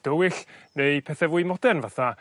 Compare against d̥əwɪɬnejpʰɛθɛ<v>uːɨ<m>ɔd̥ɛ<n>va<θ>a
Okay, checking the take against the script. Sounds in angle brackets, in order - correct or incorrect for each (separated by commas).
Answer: correct, correct, correct, correct